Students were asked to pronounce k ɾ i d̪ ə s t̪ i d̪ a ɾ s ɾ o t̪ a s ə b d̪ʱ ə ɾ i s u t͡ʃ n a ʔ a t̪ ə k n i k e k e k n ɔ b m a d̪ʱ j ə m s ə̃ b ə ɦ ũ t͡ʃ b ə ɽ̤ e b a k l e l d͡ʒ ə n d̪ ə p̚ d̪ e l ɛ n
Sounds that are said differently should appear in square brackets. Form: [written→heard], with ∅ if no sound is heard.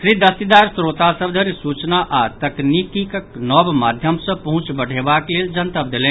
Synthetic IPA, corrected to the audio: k ɾ i d̪ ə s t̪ i d̪ a ɾ s ɾ o t̪ a s ə b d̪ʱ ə ɾ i s u t͡ʃ n a ʔ a t̪ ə k n i k [e→i] k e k n ɔ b m a d̪ʱ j ə m s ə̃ [b→p] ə ɦ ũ t͡ʃ b ə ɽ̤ e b a k l e l d͡ʒ ə n [d̪→t̪] ə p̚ d̪ e l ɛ n

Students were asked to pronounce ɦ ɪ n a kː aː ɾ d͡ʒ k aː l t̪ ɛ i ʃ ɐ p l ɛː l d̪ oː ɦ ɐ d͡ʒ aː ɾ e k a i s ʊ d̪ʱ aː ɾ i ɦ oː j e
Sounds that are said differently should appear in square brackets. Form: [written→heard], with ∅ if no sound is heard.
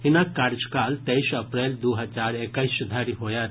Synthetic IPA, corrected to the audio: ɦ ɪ n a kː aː ɾ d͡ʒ k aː l t̪ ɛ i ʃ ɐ p [l→ɾ] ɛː l d̪ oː ɦ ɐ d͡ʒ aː ɾ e k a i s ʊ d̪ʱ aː ɾ i ɦ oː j [e→a]

